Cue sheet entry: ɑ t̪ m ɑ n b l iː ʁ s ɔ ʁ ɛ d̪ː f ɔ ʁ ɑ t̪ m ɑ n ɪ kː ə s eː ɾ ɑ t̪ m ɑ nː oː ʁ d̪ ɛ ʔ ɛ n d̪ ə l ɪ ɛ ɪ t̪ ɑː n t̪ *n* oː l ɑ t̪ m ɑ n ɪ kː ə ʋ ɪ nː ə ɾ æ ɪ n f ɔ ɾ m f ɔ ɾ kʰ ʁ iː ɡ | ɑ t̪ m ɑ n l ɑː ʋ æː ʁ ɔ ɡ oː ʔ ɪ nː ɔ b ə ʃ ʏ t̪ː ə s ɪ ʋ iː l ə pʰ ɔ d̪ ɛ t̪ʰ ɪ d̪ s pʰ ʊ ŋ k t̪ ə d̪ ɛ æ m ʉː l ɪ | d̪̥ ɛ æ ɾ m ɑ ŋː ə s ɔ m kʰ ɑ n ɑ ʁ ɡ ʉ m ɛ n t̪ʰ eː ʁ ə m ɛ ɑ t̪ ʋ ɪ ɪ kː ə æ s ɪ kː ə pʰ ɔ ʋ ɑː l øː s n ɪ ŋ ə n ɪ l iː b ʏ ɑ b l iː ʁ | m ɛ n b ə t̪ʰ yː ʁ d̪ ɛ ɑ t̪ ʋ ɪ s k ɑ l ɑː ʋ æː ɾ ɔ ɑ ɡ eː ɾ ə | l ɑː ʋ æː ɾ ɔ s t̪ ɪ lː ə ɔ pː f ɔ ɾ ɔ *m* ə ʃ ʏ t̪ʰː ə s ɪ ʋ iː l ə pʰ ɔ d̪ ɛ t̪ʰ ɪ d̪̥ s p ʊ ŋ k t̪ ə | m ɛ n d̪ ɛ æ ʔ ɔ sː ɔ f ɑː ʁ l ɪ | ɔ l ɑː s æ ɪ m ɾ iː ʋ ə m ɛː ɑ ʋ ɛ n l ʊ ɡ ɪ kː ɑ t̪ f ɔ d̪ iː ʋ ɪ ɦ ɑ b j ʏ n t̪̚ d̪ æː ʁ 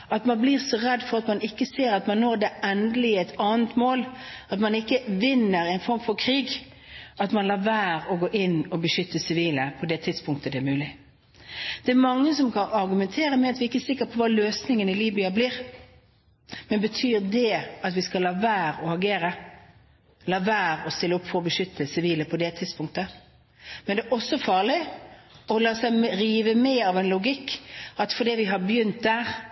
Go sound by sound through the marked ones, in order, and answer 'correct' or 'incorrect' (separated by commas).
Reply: incorrect, incorrect